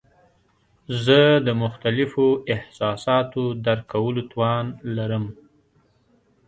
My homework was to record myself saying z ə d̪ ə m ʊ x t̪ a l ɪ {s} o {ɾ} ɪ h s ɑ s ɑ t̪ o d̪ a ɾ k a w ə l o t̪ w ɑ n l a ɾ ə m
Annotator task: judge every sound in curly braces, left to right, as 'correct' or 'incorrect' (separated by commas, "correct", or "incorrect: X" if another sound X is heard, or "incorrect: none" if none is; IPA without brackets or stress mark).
incorrect: f, incorrect: none